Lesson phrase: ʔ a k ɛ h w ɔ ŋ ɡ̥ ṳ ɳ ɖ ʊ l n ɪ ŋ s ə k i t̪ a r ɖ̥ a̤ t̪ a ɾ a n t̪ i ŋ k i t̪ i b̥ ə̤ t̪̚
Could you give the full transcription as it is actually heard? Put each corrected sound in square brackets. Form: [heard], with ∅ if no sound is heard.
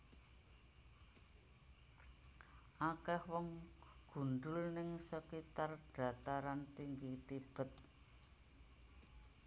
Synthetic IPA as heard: ʔ a k ɛ h w ɔ ŋ ɡ̥ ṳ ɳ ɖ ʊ l n ɪ ŋ s ə k i t̪ a r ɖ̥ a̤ t̪ a ɾ a n t̪ i ŋ [ɡ] i t̪ i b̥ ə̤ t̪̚